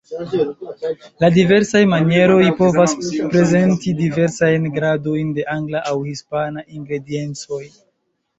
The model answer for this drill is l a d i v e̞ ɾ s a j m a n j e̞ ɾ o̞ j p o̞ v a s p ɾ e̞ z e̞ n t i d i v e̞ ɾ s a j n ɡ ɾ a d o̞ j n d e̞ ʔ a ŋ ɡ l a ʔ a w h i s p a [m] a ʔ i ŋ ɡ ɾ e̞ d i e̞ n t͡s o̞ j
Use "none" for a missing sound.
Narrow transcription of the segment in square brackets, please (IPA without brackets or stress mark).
n